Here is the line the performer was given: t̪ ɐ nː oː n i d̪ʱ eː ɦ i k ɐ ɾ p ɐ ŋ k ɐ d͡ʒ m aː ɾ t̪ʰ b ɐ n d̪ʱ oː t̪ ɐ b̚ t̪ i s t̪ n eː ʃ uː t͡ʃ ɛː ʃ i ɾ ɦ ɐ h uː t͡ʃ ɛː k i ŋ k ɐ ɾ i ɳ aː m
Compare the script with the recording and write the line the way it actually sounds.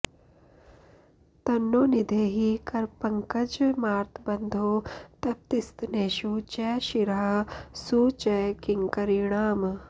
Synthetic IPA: t̪ ɐ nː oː n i d̪ʱ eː ɦ i k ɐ ɾ p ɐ ŋ k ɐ d͡ʒ m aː ɾ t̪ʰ b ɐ n d̪ʱ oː t̪ ɐ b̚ t̪ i s t̪ n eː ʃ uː t͡ʃ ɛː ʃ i ɾ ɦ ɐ s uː t͡ʃ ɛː k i ŋ k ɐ ɾ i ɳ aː m